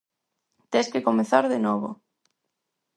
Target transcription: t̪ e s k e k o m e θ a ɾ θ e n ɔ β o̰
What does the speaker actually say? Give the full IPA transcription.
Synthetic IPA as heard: t̪ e s k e k o m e θ a ɾ ð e n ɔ β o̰